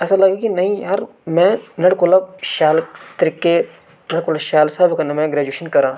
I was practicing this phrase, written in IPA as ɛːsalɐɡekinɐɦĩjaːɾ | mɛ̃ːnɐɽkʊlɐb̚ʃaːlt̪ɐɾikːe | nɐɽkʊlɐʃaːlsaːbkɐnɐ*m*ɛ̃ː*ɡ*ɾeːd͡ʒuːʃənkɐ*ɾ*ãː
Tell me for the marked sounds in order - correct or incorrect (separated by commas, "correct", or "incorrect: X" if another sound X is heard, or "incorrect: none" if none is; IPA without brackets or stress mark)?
correct, correct, correct